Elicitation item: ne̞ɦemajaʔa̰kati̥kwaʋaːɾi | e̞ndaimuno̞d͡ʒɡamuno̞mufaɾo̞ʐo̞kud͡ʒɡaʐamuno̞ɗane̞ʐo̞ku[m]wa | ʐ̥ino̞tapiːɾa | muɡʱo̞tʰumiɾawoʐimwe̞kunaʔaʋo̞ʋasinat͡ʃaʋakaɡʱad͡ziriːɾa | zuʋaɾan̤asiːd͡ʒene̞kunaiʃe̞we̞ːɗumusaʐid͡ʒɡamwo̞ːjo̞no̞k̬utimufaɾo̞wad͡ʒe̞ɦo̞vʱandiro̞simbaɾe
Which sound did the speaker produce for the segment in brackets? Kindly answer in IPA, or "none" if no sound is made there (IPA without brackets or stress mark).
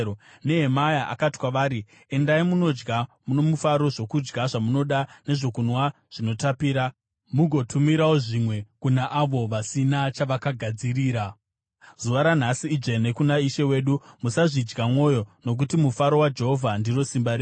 n